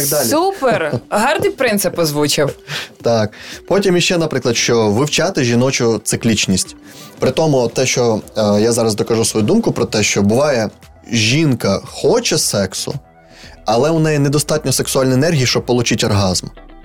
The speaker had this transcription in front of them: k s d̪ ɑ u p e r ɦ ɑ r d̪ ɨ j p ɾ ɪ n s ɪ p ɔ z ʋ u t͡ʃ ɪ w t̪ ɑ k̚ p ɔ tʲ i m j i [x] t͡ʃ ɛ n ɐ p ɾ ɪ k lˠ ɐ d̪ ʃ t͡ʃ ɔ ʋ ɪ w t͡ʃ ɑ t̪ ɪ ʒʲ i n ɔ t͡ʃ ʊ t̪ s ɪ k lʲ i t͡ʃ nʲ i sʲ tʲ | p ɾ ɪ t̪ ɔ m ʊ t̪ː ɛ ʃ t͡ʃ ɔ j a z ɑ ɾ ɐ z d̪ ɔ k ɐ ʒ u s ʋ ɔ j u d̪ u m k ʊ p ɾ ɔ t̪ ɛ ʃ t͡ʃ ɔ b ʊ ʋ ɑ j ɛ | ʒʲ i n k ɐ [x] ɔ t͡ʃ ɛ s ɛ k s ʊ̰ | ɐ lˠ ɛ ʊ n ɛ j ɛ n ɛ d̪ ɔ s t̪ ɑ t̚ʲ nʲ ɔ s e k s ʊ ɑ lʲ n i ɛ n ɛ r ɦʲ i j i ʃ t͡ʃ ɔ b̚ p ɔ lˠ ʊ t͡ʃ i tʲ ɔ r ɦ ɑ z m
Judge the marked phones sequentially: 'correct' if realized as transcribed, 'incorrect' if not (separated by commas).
incorrect, correct